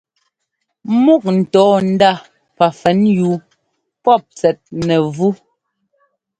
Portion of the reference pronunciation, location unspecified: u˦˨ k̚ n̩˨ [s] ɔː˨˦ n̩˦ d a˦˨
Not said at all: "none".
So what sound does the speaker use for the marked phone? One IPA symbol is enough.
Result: t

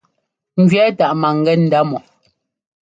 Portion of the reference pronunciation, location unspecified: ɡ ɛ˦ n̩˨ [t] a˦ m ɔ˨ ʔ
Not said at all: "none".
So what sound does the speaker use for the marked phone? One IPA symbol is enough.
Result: d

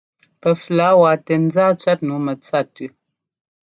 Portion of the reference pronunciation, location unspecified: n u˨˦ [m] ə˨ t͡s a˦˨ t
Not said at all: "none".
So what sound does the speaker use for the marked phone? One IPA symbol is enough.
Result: m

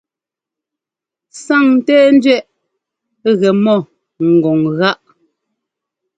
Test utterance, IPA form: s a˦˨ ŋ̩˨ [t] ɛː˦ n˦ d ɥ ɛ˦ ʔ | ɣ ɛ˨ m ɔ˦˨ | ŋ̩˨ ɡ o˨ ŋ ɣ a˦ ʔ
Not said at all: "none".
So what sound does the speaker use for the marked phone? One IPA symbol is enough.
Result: t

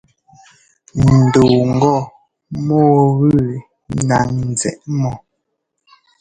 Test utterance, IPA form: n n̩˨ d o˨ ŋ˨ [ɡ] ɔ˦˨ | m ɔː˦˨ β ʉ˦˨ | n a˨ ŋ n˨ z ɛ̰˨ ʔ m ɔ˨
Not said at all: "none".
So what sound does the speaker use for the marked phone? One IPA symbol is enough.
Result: ɡ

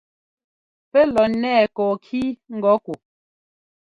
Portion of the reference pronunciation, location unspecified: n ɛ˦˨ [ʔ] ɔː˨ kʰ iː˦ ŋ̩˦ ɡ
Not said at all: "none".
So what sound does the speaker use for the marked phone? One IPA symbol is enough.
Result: k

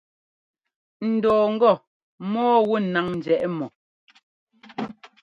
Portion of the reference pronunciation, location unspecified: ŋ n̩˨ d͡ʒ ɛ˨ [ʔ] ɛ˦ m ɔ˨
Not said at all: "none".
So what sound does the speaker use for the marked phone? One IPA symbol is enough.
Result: ʔ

